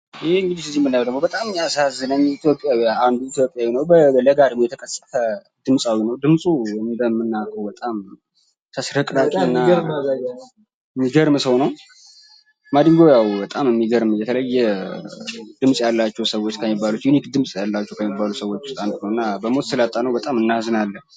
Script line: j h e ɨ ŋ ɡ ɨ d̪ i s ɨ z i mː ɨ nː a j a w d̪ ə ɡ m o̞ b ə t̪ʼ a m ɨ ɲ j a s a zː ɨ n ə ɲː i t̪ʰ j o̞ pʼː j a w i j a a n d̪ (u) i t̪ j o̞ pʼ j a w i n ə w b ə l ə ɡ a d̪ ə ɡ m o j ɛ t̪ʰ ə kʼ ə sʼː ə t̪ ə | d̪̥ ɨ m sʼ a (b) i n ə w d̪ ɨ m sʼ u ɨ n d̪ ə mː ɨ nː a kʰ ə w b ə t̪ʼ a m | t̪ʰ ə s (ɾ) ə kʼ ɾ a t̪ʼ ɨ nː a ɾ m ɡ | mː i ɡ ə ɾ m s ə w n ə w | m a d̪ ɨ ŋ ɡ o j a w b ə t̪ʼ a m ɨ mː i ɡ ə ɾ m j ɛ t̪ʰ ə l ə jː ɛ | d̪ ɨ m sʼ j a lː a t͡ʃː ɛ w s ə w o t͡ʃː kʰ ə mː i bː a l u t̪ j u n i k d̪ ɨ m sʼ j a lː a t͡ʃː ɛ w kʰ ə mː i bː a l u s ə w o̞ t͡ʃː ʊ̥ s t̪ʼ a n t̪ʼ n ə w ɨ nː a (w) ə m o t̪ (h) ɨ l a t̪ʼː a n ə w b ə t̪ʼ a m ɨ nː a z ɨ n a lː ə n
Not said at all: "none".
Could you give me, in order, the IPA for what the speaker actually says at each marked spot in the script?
u, w, ɾ, b, s

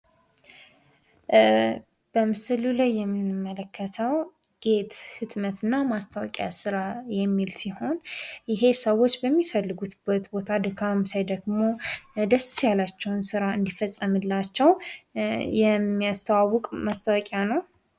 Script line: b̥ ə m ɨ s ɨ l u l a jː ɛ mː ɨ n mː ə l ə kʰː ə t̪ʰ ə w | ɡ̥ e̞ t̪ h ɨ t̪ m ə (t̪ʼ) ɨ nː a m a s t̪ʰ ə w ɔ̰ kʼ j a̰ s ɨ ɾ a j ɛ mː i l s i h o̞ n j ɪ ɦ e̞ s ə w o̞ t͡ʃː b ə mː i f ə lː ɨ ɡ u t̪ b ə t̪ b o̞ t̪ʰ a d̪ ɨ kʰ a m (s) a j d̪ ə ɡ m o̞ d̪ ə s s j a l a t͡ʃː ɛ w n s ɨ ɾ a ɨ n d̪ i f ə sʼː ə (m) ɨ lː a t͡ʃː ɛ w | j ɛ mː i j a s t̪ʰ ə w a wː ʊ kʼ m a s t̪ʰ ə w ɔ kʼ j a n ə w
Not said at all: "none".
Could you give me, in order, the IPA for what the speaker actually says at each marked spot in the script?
t̪, s, m

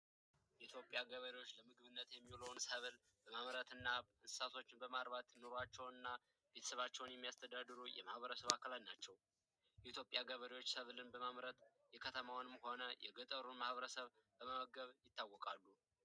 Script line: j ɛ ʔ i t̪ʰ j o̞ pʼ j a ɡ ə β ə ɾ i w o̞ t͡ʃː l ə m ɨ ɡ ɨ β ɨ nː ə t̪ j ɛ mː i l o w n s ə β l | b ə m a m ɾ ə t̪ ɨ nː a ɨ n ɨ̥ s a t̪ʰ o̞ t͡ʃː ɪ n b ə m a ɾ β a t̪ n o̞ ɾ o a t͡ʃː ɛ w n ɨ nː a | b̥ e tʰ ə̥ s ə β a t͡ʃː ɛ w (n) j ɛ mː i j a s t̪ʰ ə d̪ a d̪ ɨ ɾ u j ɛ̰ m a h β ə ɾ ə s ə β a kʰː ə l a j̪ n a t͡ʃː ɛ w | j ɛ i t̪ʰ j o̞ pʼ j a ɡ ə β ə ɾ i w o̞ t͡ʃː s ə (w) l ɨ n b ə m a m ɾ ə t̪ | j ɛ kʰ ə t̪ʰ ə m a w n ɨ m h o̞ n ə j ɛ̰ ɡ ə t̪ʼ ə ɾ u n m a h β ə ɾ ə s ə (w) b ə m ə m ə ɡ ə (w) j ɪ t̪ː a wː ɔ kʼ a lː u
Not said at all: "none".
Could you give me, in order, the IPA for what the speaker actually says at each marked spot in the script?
n, β, β, β

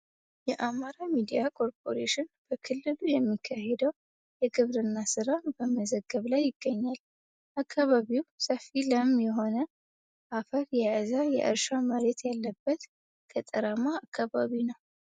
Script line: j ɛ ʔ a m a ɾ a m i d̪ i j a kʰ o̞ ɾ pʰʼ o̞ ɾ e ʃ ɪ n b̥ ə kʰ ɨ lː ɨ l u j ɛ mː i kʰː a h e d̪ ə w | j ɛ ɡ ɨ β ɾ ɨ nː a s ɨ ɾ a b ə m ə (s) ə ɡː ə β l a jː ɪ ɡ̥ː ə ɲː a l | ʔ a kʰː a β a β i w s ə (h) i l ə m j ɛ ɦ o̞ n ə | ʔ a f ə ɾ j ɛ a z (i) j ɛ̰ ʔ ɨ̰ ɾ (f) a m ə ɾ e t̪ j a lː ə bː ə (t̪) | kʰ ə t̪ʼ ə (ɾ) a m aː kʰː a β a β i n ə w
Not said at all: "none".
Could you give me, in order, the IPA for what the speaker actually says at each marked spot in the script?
z, f, a, ʃ, t̪, ɾ

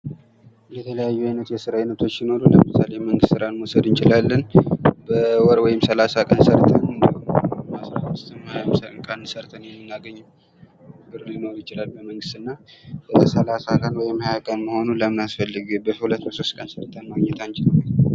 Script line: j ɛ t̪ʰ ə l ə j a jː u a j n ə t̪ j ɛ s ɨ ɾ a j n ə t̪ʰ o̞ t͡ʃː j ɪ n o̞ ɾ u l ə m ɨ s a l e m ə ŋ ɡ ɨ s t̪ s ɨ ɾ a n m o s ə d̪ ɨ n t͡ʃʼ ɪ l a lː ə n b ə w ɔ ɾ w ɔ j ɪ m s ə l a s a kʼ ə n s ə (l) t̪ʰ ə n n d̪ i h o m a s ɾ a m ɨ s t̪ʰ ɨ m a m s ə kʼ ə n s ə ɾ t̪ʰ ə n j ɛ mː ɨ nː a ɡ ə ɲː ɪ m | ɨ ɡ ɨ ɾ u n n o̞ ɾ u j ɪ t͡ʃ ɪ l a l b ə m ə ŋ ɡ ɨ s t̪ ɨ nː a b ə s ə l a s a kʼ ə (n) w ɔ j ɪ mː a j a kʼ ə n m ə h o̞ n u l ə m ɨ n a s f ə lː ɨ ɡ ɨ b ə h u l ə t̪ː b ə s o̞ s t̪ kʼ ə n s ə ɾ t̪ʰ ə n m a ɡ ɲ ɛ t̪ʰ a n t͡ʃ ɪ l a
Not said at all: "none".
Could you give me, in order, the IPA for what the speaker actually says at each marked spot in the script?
ɾ, n

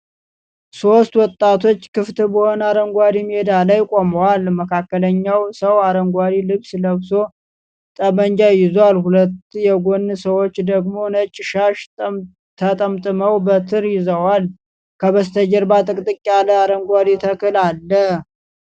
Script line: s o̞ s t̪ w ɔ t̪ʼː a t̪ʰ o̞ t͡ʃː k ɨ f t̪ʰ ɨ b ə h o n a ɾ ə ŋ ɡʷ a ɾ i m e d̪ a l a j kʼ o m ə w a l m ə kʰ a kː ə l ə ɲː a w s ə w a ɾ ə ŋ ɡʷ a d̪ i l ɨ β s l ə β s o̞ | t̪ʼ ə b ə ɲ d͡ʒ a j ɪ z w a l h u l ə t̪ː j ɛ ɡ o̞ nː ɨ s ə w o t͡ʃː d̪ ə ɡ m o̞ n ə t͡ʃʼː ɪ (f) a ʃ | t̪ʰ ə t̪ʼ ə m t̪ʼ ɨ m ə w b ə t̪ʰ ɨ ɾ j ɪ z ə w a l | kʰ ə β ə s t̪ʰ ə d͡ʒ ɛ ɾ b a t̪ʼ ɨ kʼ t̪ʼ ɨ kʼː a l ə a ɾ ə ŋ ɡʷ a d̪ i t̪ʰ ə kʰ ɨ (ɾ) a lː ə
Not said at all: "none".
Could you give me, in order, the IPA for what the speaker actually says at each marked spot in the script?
ʃ, l

